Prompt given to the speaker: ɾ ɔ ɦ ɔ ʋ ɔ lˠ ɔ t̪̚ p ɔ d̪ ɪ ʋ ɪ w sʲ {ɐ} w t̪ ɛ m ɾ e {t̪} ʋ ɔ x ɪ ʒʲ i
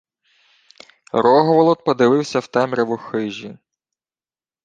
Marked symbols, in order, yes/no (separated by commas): yes, no